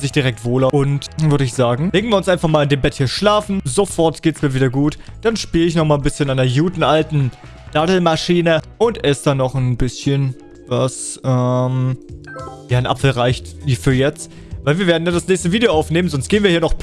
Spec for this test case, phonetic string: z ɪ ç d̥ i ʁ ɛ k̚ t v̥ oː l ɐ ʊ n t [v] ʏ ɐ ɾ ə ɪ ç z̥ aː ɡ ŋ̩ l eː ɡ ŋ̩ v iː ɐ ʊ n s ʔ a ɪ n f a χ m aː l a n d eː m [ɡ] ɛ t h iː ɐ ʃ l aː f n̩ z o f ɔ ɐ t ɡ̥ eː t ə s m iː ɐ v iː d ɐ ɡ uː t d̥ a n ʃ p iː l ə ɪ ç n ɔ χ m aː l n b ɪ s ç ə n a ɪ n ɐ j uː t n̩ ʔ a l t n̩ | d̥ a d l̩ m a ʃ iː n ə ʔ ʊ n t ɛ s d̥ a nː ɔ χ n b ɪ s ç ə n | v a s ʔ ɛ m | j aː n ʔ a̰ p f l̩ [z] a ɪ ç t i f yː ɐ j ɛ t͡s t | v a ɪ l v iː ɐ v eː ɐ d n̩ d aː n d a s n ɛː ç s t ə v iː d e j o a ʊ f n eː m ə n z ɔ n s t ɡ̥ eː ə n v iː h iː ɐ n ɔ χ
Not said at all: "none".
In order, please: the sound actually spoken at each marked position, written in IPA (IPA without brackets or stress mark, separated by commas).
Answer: v, b, ʁ